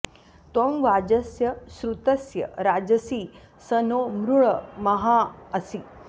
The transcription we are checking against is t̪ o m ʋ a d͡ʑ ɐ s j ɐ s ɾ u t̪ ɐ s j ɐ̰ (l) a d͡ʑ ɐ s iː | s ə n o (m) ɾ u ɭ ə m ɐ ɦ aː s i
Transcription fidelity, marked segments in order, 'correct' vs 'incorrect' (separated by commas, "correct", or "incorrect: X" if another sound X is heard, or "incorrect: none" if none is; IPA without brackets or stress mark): incorrect: ɾ, correct